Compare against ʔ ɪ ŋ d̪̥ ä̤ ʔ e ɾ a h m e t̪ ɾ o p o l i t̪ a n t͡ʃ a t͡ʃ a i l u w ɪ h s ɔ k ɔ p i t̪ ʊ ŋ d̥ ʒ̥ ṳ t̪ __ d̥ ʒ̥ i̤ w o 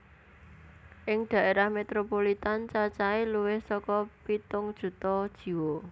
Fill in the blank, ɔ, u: ɔ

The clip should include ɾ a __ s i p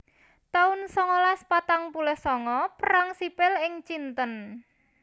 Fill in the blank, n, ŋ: ŋ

